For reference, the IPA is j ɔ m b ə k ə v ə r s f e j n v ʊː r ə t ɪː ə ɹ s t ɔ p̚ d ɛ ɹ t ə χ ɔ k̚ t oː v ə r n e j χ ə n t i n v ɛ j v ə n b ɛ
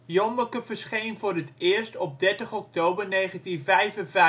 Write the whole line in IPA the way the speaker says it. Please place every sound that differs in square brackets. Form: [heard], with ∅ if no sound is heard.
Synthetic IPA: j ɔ m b ə k ə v ə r s [χ] e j n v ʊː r ə t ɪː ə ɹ s t ɔ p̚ d ɛ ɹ t ə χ ɔ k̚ t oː [b] ə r n e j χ ə n t i n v ɛ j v ə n [v] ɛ

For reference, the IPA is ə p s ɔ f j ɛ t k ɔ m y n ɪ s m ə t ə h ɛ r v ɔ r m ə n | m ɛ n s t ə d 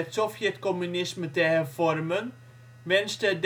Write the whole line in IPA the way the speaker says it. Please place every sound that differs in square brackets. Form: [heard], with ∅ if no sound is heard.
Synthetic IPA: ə [t] s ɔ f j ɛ t k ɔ m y n ɪ s m ə t ə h ɛ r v ɔ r m ə n | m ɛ n s t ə d

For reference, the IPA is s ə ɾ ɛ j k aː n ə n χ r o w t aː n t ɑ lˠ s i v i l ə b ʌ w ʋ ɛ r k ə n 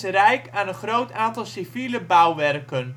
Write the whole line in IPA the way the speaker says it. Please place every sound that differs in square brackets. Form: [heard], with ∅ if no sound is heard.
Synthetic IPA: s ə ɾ ɛ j k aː n ə n χ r o w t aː n t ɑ lˠ s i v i l ə b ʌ w ʋ ɛ r k ə n

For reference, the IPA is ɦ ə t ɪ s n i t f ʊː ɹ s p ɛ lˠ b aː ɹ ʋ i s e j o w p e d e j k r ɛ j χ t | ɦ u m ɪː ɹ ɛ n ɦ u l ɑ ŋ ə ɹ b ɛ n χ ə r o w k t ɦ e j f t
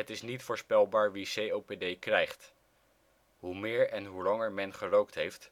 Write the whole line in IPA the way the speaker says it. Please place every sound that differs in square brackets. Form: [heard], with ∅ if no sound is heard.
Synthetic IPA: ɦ ə t ɪ s n i t f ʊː ɹ s p ɛ lˠ b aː ɹ ʋ i s e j o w p e d e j k r ɛ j χ t | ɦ u m ɪː ɹ ɛ n ɦ u l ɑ ŋ ə ɹ [m] ɛ n χ ə r o w k t ɦ e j f t

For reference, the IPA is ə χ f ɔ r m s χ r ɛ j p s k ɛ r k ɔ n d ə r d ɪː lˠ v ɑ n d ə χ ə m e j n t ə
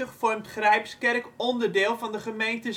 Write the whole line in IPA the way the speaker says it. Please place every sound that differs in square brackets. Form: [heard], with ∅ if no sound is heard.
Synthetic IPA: ə χ f ɔ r m [t] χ r ɛ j p s k ɛ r k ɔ n d ə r d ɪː lˠ v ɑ n d ə χ ə m e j n t ə

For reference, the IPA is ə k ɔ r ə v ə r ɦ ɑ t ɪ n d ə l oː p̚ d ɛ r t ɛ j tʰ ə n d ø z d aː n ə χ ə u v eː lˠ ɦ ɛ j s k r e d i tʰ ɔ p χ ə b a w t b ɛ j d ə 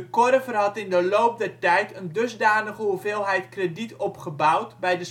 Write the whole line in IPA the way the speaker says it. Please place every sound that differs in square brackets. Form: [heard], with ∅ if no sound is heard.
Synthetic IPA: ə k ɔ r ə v ə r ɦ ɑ t ɪ n d ə l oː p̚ d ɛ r t ɛ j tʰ ə n d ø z d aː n ə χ ə u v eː lˠ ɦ ɛ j [t] k r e d i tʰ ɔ p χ ə b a w t b ɛ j d ə

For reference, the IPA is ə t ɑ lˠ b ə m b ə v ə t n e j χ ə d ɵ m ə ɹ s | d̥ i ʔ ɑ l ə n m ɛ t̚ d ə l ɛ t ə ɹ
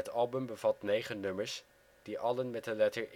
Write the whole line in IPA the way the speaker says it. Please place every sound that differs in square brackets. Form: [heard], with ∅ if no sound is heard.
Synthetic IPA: ə t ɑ lˠ b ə m b ə v [ɑ] t n e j χ ə [n] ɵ m ə ɹ s | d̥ i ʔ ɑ l ə n m ɛ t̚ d ə l ɛ t ə ɹ

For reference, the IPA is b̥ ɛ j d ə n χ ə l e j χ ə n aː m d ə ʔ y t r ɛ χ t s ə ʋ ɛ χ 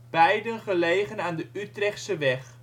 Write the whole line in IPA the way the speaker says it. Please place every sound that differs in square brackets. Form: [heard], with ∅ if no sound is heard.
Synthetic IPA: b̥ ɛ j d ə n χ ə l e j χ ə n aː [n] d ə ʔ y t r ɛ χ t s ə ʋ ɛ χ

